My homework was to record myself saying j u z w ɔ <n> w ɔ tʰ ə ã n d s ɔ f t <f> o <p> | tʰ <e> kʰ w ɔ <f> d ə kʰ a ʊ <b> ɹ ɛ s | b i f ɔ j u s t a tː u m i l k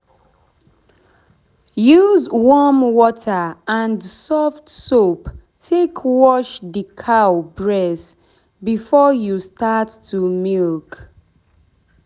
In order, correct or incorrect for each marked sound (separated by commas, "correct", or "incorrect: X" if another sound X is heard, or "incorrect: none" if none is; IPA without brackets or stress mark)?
incorrect: m, incorrect: s, correct, correct, incorrect: ʃ, correct